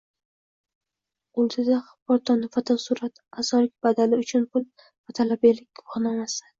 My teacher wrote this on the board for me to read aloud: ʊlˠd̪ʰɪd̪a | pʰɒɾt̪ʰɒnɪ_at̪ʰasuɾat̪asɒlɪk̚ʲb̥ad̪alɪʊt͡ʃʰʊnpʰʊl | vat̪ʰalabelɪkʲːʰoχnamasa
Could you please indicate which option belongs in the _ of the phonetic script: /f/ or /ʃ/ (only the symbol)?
f